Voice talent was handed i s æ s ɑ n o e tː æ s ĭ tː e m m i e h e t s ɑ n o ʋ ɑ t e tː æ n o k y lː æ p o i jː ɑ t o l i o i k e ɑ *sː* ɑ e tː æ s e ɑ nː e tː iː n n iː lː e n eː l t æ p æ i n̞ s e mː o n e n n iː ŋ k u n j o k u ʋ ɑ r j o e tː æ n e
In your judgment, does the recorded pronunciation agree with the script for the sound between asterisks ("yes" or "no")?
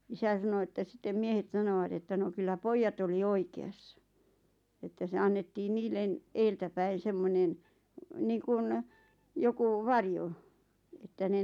yes